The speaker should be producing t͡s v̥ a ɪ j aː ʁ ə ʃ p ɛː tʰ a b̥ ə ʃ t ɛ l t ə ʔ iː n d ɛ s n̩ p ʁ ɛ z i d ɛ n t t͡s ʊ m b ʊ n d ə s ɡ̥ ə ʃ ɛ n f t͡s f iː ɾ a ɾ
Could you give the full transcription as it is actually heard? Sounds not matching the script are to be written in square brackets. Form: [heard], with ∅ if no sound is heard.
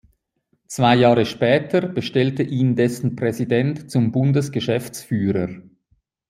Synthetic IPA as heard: t͡s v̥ a ɪ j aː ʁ ə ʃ p ɛː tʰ [ə] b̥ ə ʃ t ɛ l t ə ʔ iː n d ɛ s n̩ p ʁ ɛ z i d ɛ n t t͡s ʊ m b ʊ n d ə s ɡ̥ ə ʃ ɛ [∅] f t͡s f [yː] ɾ [ə] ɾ